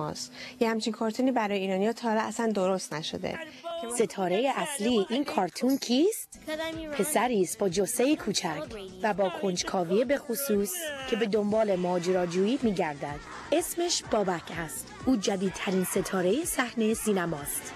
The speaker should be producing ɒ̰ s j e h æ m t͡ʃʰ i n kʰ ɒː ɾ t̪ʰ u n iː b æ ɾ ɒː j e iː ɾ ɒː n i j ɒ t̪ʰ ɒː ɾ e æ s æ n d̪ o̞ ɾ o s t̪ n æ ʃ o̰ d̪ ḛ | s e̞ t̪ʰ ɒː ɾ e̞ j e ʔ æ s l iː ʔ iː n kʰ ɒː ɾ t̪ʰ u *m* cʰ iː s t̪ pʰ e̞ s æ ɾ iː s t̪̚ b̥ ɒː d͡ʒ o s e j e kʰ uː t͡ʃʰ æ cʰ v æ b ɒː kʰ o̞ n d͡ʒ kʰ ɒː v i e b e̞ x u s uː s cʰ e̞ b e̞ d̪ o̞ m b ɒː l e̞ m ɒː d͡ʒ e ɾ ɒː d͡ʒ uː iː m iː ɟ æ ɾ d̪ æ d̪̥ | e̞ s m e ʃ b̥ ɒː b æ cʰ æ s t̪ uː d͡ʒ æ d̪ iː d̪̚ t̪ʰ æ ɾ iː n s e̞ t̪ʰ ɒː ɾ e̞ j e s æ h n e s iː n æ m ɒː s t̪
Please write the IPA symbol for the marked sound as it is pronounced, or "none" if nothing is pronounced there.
n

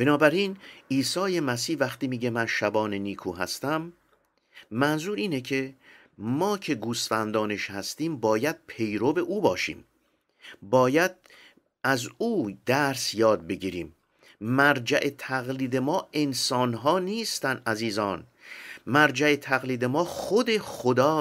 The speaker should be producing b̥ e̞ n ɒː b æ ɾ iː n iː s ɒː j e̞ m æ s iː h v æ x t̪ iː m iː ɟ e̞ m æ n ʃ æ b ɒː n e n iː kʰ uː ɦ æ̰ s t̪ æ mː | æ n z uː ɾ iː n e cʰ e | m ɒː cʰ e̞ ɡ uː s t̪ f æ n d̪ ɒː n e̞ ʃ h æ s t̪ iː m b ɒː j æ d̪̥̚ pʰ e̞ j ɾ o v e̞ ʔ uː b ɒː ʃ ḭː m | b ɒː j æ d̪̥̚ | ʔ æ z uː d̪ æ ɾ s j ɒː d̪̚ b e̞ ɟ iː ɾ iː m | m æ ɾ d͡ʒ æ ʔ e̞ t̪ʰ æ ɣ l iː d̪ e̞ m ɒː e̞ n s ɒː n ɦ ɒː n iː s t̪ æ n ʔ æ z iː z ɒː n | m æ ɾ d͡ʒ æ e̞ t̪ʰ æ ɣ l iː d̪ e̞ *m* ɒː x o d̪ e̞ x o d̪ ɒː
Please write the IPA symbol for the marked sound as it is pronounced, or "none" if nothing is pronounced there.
m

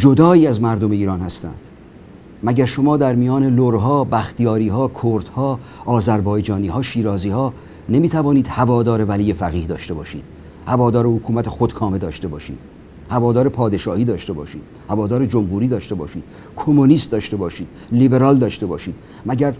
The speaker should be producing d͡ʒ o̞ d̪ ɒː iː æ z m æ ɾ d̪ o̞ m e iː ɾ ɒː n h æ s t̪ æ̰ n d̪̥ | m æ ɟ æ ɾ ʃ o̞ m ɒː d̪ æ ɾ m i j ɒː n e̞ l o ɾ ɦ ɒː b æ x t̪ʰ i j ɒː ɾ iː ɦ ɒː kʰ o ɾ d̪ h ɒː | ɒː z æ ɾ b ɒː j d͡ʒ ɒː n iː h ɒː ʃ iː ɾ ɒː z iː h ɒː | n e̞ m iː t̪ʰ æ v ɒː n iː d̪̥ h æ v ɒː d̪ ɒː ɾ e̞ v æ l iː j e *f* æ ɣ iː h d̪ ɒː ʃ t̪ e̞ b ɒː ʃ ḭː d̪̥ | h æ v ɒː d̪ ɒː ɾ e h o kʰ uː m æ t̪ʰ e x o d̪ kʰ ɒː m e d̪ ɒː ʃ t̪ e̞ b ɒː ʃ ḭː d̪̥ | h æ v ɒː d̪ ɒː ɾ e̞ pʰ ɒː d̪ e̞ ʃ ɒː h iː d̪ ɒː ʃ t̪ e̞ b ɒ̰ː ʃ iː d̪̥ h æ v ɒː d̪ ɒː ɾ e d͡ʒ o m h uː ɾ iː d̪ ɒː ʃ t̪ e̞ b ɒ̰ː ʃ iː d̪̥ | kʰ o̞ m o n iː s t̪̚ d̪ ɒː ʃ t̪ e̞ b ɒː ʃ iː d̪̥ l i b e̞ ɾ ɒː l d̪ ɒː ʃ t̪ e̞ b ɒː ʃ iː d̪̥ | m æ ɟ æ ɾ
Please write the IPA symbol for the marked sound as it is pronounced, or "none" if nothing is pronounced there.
f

